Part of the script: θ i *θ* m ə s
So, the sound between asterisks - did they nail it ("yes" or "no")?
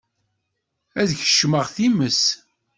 no